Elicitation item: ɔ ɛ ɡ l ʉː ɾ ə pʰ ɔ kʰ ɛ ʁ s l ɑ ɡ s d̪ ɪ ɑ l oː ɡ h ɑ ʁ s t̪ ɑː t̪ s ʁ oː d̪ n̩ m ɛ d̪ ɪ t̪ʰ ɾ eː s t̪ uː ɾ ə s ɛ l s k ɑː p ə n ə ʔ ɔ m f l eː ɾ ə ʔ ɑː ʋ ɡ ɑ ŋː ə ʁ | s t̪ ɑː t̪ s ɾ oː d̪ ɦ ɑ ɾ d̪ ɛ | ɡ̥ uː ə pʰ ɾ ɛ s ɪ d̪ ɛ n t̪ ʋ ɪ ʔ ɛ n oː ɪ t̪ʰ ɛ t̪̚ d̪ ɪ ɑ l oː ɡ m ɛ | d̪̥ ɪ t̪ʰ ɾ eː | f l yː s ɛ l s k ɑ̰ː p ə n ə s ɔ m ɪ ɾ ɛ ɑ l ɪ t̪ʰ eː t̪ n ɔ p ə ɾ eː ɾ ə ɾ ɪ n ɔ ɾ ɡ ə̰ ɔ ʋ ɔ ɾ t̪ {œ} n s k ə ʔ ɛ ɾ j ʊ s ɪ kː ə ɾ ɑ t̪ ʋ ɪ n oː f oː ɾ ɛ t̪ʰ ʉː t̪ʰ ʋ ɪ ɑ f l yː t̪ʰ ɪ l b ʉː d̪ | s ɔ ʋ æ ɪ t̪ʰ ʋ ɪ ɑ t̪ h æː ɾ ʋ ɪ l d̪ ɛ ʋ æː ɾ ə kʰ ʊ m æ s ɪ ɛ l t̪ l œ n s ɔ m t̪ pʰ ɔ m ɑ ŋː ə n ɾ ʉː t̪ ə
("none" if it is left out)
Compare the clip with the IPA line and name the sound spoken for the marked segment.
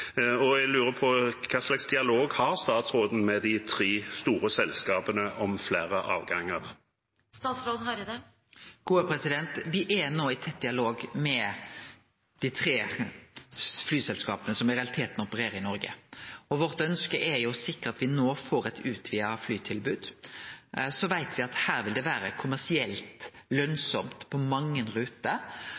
œ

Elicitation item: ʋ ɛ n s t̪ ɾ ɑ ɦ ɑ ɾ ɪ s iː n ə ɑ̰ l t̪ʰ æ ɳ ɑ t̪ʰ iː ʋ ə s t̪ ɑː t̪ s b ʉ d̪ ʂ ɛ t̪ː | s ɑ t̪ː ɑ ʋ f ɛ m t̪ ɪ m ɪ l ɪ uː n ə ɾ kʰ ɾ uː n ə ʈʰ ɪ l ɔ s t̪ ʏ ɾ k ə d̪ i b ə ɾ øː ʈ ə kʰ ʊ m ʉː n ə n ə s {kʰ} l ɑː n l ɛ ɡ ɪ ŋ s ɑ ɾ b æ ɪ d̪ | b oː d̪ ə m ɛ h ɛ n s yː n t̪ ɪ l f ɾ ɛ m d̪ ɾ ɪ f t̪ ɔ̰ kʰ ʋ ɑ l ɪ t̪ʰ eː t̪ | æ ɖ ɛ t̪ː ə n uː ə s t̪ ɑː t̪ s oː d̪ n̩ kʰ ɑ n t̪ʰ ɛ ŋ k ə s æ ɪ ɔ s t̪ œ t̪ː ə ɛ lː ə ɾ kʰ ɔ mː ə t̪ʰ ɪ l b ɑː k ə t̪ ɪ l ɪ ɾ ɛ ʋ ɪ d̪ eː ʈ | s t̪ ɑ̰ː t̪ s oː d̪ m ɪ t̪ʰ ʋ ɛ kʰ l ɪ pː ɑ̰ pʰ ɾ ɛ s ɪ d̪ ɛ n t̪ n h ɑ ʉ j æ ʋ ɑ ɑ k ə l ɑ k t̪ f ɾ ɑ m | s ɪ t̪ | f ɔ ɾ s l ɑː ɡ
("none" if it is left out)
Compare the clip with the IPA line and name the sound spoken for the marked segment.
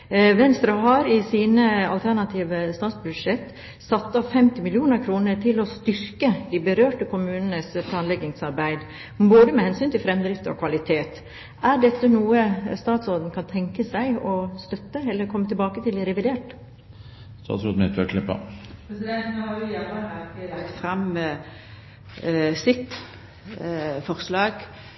pʰ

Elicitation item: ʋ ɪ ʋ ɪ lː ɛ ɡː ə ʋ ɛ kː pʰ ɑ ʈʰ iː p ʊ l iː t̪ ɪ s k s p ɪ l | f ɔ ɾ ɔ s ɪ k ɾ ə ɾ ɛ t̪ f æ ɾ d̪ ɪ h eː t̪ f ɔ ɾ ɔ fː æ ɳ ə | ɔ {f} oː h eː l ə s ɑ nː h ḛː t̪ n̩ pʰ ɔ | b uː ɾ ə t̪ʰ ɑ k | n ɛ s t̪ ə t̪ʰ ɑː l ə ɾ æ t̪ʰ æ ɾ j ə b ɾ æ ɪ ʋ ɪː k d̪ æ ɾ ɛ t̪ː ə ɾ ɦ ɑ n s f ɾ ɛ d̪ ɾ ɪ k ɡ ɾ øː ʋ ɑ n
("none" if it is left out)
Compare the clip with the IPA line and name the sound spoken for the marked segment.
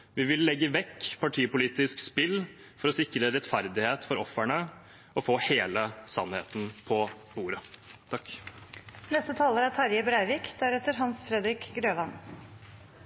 f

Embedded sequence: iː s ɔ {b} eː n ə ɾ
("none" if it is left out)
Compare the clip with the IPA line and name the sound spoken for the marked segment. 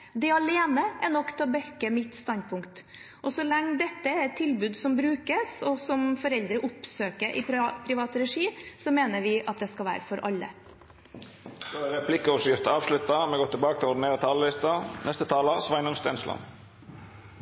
m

